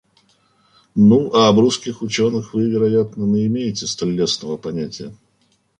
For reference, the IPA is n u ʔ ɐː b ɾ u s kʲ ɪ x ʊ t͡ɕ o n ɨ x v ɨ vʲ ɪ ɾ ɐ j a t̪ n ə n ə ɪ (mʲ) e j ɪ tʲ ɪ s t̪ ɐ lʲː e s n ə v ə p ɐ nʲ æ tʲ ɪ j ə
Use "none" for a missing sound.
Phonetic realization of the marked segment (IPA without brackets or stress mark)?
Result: mʲ